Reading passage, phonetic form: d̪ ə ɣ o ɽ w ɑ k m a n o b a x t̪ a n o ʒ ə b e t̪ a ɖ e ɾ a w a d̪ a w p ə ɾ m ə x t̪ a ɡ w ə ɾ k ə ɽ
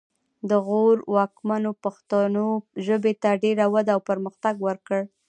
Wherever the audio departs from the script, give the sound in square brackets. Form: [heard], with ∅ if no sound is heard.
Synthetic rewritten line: d̪ ə ɣ o [ɾ] w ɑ k m a n o [p] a x t̪ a n o ʒ ə b e t̪ a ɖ e ɾ a w a d̪ a w p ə ɾ m ə x t̪ a ɡ w ə ɾ k ə ɽ